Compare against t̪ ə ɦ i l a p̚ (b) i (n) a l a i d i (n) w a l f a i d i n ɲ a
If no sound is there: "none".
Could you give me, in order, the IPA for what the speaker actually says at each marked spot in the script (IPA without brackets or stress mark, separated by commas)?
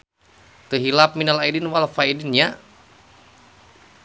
m, n, n